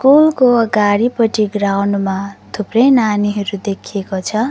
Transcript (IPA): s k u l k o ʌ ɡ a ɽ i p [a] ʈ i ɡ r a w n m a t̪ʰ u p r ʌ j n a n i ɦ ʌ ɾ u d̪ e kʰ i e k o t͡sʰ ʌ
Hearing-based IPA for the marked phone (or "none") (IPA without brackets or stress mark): ʌ